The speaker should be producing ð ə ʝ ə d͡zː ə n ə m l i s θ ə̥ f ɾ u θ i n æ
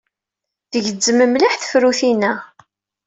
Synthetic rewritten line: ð ə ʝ ə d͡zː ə m ə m l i ħ θ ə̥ f ɾ u θ i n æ